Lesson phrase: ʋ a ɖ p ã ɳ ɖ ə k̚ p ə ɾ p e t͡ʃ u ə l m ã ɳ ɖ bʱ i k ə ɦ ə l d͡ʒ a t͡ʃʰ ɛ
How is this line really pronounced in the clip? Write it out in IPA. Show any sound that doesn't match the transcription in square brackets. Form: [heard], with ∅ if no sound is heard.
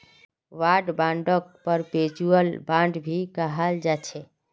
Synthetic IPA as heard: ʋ a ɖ [b] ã ɳ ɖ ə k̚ p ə ɾ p e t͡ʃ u ə l [b] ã ɳ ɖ bʱ i k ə ɦ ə l d͡ʒ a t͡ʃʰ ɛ